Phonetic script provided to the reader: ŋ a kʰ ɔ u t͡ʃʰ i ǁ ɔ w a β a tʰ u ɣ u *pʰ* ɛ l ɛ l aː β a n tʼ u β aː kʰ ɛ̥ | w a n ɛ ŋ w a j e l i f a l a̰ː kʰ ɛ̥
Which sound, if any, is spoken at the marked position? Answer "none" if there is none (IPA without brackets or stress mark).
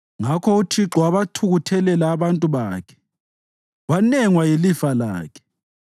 tʰ